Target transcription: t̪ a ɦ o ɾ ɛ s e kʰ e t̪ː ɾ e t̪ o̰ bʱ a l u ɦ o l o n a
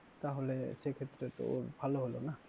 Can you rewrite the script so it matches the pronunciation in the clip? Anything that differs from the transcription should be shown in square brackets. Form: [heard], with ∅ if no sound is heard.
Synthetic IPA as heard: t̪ a ɦ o [l] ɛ s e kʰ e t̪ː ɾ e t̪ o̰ bʱ a l [o] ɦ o l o n a